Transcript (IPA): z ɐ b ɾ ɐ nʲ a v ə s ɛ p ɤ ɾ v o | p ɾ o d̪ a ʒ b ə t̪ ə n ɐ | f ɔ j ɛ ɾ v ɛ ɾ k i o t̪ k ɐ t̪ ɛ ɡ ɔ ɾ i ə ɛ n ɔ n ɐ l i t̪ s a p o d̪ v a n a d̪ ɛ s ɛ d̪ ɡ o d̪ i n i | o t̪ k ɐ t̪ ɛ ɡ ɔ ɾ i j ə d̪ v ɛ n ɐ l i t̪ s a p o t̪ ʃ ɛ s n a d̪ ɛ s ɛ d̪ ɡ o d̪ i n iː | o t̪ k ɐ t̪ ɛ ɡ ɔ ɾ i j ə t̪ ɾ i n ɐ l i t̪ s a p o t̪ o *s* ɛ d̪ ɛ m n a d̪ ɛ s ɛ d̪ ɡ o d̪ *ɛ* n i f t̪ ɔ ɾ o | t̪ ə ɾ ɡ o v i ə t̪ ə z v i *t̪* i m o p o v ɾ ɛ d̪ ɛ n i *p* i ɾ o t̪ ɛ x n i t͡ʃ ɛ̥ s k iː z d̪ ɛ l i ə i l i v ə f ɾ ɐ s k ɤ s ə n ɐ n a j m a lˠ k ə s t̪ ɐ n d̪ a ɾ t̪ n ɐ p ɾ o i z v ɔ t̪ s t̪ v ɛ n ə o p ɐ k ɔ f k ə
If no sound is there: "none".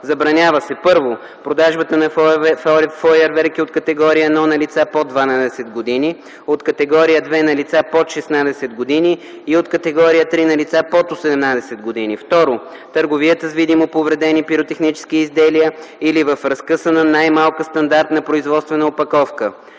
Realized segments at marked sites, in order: s, i, d̪, p

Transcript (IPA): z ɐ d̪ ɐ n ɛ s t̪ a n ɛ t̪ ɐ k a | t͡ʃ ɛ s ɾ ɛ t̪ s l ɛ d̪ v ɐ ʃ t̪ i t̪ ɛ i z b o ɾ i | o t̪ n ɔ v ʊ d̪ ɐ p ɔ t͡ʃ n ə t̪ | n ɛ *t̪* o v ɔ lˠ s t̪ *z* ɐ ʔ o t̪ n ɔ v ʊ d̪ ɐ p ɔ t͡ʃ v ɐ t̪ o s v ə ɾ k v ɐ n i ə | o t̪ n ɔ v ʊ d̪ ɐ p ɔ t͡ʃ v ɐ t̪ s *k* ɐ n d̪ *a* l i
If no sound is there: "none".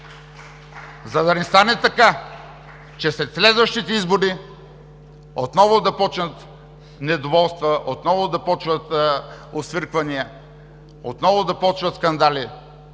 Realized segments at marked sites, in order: d̪, v, k, a

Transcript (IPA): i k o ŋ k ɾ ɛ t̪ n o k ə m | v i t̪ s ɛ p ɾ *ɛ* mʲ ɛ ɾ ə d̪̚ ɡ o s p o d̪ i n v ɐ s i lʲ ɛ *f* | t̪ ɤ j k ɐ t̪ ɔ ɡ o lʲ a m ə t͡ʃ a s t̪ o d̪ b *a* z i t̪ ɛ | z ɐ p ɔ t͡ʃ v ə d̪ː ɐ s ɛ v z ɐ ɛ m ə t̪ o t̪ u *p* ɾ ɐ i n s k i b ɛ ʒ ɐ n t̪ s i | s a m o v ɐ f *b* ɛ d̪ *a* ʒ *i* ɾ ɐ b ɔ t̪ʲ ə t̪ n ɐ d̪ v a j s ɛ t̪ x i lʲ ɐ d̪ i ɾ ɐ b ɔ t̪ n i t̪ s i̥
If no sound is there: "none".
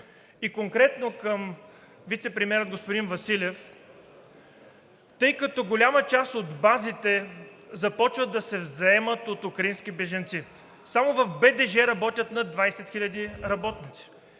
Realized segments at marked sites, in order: i, f, a, k, b, ɛ, ɛ

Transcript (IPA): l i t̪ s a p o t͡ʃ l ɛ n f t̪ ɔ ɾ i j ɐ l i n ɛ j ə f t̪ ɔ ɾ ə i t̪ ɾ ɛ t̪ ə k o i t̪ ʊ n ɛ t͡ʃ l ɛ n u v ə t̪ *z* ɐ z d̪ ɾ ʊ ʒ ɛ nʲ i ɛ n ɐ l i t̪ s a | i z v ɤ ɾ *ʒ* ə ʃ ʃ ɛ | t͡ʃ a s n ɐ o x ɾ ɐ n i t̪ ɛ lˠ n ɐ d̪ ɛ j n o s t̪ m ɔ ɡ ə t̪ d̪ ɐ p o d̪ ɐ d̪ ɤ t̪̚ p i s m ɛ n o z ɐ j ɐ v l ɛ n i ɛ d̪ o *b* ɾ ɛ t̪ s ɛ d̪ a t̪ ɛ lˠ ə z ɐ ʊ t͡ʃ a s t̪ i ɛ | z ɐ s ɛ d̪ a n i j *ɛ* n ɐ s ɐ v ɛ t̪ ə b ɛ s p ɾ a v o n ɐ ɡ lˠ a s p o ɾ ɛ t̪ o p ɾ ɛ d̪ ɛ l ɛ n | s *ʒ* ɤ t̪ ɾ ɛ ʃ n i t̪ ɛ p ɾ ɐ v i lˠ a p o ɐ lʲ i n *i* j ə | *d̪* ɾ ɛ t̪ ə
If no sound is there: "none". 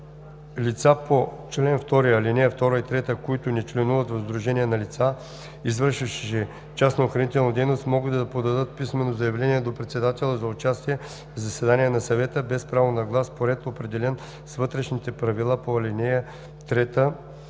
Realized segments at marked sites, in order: v, ʃ, p, ɛ, v, ɛ, t̪

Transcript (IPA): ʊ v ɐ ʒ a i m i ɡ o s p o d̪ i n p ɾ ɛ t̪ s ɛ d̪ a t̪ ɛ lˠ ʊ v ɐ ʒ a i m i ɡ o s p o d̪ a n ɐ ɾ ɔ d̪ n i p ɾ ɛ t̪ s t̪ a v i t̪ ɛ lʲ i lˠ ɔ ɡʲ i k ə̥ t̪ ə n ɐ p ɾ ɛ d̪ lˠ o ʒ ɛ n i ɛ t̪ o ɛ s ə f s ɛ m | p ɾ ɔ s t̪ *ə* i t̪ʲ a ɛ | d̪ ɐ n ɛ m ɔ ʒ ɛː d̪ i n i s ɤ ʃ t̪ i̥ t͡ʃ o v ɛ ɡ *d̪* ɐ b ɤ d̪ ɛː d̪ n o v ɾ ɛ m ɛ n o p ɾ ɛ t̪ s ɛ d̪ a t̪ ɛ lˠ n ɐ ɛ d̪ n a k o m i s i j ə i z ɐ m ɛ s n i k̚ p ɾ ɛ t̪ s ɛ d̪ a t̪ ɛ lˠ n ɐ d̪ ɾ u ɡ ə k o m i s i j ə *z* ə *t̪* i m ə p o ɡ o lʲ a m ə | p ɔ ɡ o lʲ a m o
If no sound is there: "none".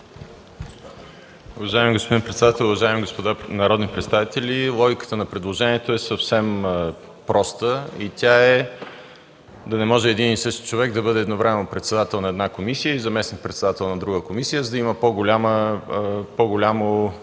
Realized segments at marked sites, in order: ə, d̪, z, d̪

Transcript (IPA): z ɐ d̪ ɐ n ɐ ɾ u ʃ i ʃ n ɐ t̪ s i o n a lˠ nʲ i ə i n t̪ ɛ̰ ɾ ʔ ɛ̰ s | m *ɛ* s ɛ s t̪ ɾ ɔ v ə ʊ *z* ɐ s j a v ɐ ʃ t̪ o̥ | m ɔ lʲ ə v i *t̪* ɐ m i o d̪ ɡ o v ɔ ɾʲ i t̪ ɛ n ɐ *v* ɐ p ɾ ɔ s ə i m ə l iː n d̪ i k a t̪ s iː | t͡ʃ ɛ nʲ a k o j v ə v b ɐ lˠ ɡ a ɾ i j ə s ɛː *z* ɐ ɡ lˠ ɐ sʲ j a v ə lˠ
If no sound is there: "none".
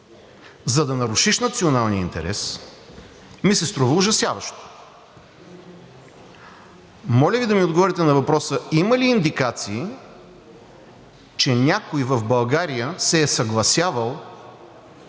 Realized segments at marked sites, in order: i, ʒ, d̪, v, s

